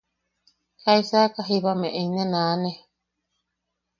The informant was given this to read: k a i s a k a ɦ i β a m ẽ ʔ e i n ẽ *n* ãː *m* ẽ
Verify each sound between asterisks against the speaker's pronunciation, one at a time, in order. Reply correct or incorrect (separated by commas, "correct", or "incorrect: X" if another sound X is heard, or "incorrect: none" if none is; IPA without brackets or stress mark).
correct, incorrect: n